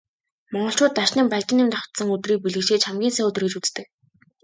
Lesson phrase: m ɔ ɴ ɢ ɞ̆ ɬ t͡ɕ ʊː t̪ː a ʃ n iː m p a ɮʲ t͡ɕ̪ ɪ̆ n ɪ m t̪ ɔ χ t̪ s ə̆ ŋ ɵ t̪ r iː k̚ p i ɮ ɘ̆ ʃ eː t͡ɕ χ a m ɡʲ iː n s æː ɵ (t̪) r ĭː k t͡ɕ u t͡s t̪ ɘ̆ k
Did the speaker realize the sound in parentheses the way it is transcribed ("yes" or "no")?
yes